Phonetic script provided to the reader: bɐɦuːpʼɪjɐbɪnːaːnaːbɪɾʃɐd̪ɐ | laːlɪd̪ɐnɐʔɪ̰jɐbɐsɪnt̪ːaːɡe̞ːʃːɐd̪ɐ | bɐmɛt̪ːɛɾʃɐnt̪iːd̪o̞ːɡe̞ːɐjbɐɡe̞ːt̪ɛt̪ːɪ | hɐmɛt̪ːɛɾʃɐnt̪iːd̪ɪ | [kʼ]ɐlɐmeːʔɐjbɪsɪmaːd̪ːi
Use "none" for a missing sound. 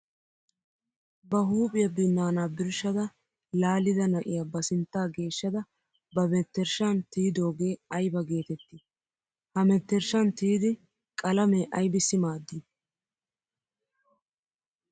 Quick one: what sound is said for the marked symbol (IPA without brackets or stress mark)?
kʼ